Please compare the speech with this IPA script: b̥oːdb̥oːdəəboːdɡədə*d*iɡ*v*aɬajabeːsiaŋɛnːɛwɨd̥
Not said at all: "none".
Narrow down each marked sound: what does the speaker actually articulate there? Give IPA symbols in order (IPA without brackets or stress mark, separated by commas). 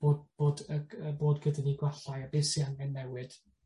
n, w